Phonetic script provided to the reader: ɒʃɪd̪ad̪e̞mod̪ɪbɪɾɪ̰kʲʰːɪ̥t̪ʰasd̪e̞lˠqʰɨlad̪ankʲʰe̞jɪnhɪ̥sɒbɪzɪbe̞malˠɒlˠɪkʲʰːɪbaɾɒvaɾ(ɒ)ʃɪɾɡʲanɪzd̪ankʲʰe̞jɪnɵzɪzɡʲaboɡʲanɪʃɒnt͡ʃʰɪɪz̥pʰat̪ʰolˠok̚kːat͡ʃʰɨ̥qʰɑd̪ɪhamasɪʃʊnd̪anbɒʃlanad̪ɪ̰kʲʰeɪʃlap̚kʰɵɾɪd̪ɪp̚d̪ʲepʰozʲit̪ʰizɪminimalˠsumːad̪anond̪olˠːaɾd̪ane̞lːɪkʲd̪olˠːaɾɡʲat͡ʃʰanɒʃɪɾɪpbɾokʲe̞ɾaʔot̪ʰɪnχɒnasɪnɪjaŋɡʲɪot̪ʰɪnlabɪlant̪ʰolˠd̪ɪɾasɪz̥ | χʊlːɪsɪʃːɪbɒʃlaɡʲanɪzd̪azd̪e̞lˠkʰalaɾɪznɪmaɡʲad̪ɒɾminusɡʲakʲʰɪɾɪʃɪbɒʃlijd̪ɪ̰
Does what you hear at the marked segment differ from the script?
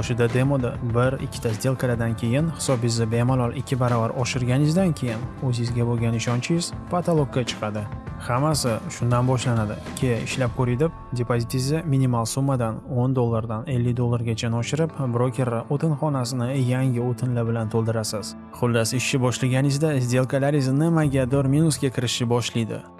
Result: no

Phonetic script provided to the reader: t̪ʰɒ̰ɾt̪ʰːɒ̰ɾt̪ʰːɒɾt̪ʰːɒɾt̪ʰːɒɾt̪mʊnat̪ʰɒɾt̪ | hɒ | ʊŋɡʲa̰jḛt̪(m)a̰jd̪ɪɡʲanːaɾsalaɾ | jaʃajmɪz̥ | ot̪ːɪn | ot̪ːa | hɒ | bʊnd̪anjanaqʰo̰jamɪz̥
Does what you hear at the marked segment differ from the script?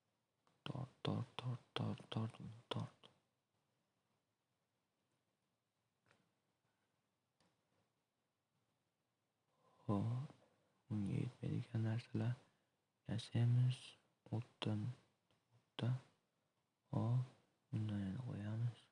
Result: no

